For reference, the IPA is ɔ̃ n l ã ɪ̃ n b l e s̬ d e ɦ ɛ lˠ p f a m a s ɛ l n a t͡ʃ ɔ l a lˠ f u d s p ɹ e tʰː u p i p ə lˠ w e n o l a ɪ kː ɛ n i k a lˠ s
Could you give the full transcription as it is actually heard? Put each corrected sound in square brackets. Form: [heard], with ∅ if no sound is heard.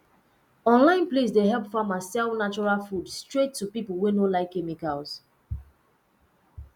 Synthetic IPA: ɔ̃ n l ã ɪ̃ n [p] l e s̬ d e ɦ ɛ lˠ p f a m a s ɛ l n a t͡ʃ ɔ [ɹ] a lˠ f u d s [t] ɹ e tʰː u p i p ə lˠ w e n o l a ɪ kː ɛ [m] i k a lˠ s